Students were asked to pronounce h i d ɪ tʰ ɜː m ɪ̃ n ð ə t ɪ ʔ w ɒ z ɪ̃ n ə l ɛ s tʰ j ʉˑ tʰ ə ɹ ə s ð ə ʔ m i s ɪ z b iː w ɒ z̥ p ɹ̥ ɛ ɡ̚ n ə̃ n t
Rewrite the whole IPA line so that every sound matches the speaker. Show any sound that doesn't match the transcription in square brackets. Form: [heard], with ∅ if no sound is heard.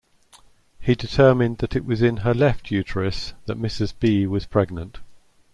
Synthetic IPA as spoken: h i d ɪ tʰ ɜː m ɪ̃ n ð ə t ɪ ʔ w ɒ z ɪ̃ n ə l ɛ [f] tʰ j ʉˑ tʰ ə ɹ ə s ð ə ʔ m [ɪ] s ɪ z b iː w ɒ z̥ [pʰ] ɹ̥ ɛ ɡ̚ n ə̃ n t